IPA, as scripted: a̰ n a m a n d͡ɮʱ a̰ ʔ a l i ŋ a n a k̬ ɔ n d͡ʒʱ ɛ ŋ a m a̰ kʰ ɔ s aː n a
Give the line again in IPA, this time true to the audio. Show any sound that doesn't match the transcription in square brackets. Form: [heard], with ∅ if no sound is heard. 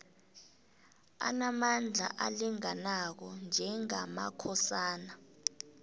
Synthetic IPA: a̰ n a m a n d͡ɮʱ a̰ ʔ a l i ŋ a n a k̬ ɔ n d͡ʒʱ ɛ ŋ a m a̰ kʰ ɔ s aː n a